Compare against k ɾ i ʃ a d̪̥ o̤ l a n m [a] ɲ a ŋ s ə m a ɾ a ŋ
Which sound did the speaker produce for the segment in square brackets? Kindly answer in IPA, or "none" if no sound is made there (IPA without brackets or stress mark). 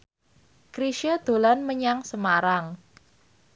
ə